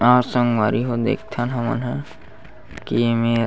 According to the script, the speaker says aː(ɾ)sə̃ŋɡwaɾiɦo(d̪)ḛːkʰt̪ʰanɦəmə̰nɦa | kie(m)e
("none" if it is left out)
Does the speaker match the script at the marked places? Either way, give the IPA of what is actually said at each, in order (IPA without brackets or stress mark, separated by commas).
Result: ɾ, d̪, m